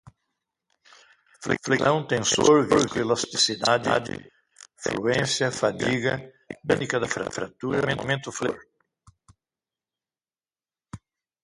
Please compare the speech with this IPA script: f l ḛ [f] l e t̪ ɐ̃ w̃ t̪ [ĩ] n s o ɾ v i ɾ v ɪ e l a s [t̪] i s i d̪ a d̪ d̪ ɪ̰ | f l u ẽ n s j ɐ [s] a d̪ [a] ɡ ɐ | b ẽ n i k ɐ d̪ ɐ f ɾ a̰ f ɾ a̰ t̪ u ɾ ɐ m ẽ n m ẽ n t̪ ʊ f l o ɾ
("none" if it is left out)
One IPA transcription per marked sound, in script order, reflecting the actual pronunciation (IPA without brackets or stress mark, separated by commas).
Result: f, ẽ, t̪, f, i